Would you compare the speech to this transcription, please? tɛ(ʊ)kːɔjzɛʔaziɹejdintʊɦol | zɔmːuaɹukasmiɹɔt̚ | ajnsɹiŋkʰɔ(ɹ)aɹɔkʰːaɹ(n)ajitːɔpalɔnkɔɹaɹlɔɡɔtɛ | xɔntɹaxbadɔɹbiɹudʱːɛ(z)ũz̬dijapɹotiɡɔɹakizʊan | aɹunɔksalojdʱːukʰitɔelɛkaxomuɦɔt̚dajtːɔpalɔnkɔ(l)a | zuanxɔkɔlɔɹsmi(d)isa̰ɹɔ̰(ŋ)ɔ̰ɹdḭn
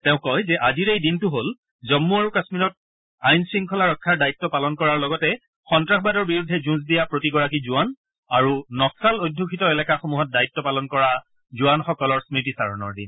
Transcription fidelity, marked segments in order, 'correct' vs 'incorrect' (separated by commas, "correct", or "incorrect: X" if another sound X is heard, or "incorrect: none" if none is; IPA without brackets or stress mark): incorrect: ʊ̃, incorrect: l, incorrect: d, correct, incorrect: ɹ, incorrect: t, incorrect: n